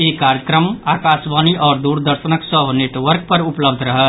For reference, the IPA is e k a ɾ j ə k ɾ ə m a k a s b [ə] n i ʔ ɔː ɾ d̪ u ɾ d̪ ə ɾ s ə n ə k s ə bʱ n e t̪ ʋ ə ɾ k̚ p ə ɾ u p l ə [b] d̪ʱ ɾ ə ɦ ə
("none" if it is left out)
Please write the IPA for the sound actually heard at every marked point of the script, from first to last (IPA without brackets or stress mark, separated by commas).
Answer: a, b